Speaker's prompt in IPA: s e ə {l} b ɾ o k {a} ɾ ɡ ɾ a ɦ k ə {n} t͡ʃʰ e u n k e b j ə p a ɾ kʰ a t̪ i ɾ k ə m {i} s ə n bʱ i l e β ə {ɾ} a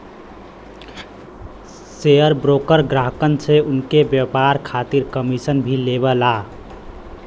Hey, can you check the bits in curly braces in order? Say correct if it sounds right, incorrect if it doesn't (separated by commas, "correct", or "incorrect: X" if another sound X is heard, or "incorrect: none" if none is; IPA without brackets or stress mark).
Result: incorrect: ɾ, incorrect: ə, correct, correct, incorrect: l